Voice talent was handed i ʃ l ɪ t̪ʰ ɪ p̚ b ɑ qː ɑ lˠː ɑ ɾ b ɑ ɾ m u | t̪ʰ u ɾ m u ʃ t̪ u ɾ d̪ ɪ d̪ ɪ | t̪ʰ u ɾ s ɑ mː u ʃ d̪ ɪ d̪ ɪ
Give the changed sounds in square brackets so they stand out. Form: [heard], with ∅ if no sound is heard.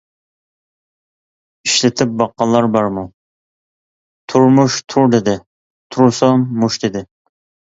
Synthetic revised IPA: i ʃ l ɪ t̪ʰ ɪ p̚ b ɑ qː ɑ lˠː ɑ ɾ b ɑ ɾ m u | t̪ʰ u ɾ m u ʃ [t̪ʰ] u ɾ d̪ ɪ d̪ ɪ | t̪ʰ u ɾ s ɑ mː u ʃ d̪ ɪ d̪ ɪ